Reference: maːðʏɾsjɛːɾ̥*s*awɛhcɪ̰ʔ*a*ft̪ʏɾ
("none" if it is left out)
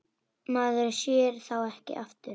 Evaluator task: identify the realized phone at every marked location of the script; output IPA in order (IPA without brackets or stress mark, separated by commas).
θ, a